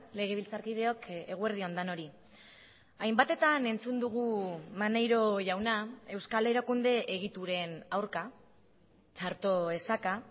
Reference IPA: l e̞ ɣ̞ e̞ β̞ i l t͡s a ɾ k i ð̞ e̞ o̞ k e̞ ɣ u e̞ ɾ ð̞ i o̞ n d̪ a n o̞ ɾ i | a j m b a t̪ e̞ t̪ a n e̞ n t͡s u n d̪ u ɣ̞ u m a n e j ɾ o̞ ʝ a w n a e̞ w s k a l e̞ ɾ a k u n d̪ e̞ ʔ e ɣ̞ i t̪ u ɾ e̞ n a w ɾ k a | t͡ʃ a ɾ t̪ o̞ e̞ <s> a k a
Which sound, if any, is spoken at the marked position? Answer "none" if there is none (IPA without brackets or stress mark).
s